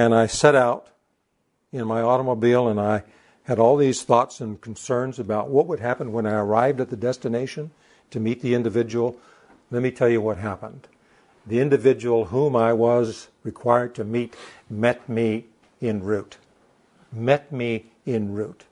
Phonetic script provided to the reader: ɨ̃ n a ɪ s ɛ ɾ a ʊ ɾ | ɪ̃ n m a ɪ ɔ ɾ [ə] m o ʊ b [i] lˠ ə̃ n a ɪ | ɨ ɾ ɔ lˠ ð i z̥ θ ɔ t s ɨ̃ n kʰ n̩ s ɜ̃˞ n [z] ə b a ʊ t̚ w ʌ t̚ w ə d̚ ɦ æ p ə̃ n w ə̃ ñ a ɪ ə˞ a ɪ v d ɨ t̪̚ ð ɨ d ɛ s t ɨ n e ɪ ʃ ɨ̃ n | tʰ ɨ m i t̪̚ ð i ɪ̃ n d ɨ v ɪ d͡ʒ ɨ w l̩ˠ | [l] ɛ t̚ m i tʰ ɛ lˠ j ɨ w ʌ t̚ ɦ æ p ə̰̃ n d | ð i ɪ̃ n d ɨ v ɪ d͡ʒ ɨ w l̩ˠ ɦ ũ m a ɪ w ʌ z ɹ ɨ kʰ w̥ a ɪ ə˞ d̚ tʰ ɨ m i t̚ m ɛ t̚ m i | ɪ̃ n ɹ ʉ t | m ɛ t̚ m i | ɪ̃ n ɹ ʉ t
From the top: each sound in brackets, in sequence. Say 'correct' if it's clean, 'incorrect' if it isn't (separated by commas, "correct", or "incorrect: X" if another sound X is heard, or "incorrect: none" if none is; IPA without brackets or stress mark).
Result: correct, correct, correct, correct